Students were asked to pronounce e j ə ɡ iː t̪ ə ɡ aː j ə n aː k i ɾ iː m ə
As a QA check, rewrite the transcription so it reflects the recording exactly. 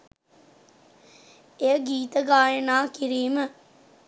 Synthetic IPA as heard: e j ə ɡ iː t̪ ə ɡ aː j ə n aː k i ɾ iː m ə